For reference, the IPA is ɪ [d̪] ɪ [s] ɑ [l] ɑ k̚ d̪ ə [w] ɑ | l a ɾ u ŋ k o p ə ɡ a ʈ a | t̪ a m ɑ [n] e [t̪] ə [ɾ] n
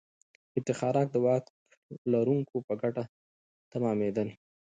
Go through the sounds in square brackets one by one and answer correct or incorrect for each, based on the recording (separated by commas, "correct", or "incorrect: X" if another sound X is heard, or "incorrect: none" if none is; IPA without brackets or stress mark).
incorrect: t̪, incorrect: x, incorrect: ɾ, correct, incorrect: m, incorrect: d̪, incorrect: none